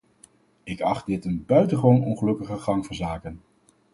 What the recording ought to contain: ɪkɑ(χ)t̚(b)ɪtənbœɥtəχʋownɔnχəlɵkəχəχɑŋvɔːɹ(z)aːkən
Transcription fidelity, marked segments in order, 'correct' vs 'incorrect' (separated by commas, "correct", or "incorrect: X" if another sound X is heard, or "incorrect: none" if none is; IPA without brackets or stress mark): correct, incorrect: d, correct